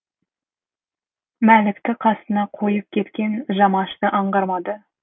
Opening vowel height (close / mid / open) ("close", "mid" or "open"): open